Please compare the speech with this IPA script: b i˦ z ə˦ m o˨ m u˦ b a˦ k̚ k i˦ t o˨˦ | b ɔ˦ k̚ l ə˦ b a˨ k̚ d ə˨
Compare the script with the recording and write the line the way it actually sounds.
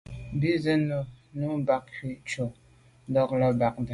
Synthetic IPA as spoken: b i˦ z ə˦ n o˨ n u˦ b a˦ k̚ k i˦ t͡ʃ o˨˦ | d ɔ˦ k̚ l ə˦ b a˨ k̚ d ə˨